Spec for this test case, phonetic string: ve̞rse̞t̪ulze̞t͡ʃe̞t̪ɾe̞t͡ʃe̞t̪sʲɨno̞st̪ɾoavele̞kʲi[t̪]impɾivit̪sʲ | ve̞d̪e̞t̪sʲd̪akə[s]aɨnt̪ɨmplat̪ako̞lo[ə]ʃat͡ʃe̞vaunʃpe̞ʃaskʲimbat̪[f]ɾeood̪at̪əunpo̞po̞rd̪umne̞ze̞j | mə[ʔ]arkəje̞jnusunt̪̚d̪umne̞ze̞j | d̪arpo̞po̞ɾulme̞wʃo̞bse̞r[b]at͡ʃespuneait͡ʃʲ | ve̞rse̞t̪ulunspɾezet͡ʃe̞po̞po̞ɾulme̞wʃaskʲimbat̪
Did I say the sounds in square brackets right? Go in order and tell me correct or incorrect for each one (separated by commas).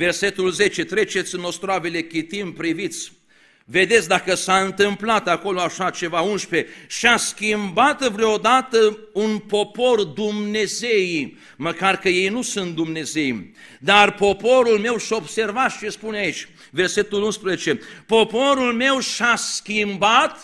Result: correct, correct, incorrect, incorrect, incorrect, incorrect